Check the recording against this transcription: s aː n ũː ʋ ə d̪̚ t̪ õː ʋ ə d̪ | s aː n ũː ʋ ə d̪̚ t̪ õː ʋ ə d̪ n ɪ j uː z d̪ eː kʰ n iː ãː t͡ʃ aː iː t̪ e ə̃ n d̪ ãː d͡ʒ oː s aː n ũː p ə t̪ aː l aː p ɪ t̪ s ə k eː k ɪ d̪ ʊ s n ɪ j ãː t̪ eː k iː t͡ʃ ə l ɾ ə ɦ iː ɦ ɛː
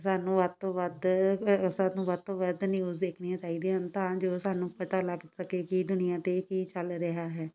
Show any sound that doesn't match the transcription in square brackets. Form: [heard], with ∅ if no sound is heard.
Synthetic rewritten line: s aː n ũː ʋ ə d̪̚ t̪ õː ʋ ə d̪ | s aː n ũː ʋ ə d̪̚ t̪ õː ʋ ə d̪ n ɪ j uː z d̪ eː kʰ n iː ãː t͡ʃ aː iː [d̪] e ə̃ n [t̪] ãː d͡ʒ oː s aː n ũː p ə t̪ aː l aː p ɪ t̪ s ə k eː k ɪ d̪ ʊ [∅] n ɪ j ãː t̪ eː k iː t͡ʃ ə l ɾ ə ɦ [aː] ɦ ɛː